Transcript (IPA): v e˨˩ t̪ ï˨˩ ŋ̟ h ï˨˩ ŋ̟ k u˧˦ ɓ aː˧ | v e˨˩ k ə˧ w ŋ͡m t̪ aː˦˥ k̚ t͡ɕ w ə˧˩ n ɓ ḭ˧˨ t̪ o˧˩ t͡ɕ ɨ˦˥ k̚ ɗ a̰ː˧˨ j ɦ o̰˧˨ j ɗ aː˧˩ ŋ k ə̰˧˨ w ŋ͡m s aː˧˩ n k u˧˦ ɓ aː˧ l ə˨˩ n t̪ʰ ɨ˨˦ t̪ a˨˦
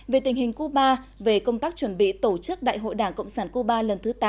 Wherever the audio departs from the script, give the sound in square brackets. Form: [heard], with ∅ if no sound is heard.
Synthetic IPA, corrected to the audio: v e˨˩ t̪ ï˨˩ ŋ̟ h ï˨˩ ŋ̟ k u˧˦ ɓ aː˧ | v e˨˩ k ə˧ w ŋ͡m t̪ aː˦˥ k̚ t͡ɕ w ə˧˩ n ɓ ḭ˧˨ t̪ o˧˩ t͡ɕ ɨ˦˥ k̚ ɗ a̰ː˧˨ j ɦ o̰˧˨ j ɗ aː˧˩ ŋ k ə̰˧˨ w ŋ͡m s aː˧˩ n k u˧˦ ɓ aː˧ l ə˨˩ n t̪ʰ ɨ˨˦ t̪ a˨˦

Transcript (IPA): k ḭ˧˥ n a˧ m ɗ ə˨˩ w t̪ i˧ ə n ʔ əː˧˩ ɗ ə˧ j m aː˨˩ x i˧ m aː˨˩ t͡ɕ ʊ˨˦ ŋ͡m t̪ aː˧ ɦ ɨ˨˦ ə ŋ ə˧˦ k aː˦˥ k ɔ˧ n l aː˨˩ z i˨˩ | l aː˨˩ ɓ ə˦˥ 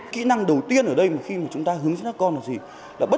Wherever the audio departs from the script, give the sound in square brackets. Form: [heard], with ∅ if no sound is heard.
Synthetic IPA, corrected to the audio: k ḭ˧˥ n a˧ [ŋ] ɗ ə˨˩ w t̪ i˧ ə n ʔ əː˧˩ ɗ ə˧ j m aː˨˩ x i˧ m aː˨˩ t͡ɕ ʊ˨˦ ŋ͡m t̪ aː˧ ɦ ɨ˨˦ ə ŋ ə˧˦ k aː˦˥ k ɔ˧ n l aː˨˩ z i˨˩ | l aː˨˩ ɓ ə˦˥

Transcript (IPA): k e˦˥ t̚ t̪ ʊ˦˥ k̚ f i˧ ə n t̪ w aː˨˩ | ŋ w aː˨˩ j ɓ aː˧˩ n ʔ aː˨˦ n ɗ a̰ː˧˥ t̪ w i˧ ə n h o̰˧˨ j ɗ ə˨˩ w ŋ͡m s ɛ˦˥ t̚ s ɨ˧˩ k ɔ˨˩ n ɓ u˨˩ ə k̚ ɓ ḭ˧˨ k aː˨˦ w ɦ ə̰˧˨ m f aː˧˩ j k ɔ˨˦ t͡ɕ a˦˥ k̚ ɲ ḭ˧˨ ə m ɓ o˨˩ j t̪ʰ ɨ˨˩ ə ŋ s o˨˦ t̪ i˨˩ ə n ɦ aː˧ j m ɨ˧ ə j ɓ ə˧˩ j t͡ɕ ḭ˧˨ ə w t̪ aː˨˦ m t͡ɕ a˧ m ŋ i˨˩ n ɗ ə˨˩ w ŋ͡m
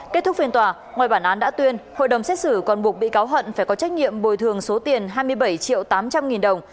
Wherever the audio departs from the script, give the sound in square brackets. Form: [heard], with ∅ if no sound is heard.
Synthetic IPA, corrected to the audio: k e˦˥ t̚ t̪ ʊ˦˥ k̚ f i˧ ə n t̪ w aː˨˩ | ŋ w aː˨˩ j ɓ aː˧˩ n ʔ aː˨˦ n ɗ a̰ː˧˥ t̪ w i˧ ə n h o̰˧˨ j ɗ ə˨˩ w ŋ͡m s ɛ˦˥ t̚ s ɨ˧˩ k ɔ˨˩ n ɓ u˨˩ ə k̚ ɓ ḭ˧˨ k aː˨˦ w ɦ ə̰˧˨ [n] f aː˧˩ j k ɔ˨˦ t͡ɕ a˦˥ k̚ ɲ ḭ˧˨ ə m ɓ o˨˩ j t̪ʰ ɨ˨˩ ə ŋ s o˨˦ t̪ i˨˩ ə n ɦ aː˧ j m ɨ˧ ə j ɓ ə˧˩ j t͡ɕ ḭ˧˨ ə w t̪ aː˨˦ m t͡ɕ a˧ m ŋ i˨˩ n ɗ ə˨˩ w ŋ͡m

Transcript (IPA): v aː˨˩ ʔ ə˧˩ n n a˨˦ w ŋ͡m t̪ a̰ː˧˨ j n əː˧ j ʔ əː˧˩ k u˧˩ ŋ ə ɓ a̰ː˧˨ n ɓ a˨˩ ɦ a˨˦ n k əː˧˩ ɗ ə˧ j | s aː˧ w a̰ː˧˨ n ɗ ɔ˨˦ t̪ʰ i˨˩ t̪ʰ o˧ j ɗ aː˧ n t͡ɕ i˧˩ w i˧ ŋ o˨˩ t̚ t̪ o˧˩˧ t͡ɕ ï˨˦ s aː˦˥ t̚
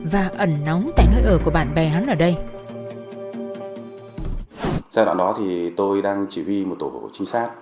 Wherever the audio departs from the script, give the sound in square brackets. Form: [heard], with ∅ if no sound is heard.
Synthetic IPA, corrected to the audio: v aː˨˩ ʔ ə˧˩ n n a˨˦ w ŋ͡m t̪ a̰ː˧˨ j n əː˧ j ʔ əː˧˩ k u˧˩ [∅] ə ɓ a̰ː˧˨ n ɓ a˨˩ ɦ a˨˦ n [ʔ] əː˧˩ ɗ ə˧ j | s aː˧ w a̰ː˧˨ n ɗ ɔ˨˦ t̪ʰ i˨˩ [t̪] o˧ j ɗ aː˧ [ŋ] t͡ɕ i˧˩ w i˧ [m] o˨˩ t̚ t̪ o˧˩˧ t͡ɕ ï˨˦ s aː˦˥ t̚

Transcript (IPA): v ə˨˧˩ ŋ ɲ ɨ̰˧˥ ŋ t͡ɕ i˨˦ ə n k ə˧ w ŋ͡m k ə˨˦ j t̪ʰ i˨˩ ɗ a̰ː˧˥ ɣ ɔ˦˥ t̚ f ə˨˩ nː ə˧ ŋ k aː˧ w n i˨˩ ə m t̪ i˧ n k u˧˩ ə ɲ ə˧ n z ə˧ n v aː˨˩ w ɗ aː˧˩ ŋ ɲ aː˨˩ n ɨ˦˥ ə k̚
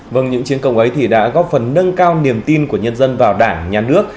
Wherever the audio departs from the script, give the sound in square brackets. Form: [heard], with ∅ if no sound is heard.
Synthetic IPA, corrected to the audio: v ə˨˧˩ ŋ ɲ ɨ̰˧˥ ŋ t͡ɕ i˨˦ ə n k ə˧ w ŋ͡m [ʔ] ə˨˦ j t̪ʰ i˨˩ ɗ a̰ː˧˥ ɣ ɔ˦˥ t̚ f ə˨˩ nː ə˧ ŋ k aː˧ w n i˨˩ ə m t̪ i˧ n k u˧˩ ə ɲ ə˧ n z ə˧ n v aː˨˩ w ɗ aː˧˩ ŋ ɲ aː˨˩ n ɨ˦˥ ə k̚

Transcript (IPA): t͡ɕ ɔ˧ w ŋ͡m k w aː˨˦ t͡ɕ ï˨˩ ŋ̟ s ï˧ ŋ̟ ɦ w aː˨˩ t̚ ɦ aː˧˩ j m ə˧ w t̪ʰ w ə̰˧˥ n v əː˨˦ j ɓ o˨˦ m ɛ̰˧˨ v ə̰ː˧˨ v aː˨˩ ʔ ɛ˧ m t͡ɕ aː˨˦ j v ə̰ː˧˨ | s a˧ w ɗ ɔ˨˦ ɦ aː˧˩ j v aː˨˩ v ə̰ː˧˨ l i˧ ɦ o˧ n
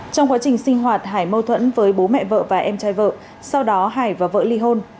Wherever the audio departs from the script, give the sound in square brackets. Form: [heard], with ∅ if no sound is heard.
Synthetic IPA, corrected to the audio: t͡ɕ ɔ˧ w ŋ͡m k w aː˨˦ t͡ɕ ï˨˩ ŋ̟ s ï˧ ŋ̟ ɦ w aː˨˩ t̚ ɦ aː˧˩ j m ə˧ w t̪ʰ w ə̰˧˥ n v əː˨˦ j ɓ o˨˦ m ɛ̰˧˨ v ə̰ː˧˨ v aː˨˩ ʔ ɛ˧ m t͡ɕ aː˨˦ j v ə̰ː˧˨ | s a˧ w ɗ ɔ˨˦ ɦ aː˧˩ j v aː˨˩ v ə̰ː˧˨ l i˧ ɦ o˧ n

